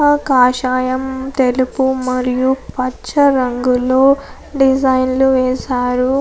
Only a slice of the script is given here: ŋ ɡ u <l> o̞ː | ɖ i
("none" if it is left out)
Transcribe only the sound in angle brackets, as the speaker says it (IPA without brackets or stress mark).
l